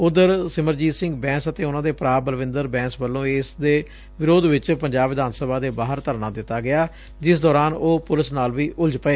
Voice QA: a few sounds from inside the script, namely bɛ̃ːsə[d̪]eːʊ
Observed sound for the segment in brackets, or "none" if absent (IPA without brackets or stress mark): t̪